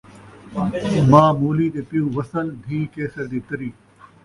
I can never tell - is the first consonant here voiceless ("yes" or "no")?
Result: no